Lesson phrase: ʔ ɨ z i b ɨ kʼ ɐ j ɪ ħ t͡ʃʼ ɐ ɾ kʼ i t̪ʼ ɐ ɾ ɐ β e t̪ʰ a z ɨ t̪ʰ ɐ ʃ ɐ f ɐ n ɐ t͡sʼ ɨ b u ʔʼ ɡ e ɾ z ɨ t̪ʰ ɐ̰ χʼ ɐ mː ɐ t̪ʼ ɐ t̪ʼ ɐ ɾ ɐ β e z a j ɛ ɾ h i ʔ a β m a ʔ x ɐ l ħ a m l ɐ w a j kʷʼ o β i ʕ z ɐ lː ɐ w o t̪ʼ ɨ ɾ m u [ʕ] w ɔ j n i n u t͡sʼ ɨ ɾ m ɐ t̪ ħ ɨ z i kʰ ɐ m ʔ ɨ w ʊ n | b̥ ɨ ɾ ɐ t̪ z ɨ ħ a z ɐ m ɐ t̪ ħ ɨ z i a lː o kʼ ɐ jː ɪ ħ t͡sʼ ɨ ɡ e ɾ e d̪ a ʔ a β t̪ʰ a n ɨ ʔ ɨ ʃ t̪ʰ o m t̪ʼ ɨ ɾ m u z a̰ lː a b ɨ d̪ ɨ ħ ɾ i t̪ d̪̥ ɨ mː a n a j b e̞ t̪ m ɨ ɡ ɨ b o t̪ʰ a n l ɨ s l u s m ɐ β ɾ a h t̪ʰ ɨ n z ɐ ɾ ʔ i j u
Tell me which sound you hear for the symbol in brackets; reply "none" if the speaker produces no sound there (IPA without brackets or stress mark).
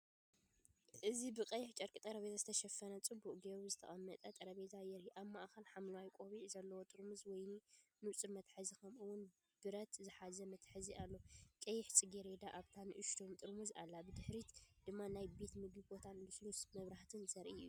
z